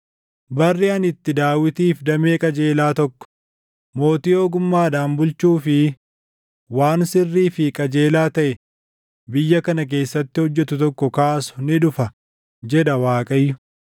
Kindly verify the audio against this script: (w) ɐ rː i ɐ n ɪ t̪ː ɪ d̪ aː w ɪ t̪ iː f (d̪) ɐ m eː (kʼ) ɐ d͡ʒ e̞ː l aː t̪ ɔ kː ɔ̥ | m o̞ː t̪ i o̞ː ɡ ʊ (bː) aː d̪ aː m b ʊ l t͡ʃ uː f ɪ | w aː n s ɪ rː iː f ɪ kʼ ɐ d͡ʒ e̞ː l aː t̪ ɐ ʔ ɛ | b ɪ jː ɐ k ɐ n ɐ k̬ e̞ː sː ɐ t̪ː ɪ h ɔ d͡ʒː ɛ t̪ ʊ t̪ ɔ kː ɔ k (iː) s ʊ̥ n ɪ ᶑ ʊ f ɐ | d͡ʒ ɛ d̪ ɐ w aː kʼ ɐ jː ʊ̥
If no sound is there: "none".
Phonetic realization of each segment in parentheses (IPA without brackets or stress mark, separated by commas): b, d̪, kʼ, mː, aː